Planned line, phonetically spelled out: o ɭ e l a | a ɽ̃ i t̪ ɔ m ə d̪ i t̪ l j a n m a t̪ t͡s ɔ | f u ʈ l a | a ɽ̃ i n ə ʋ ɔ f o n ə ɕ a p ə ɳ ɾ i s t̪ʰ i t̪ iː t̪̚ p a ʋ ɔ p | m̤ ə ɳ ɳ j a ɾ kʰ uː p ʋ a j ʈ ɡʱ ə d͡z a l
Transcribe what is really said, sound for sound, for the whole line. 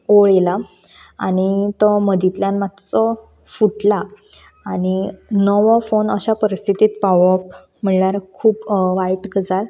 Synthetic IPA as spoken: o ɭ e l a | a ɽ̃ i t̪ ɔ m ə d̪ i t̪ l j a n m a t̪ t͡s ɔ | f u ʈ l a | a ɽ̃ i n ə ʋ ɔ f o n ə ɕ a p ə ɾ i s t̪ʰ i t̪ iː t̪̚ p a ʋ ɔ p | m̤ ə ɳ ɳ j a ɾ kʰ uː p ʋ a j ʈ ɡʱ ə d͡z a l